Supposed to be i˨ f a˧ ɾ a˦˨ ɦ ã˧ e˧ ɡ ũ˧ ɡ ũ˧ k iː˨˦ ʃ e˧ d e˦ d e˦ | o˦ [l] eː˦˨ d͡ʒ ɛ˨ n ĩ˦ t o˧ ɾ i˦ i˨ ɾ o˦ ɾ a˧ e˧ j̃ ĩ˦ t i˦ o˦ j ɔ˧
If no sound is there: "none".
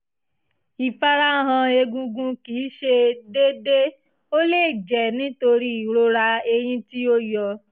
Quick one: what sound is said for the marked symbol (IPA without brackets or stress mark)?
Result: l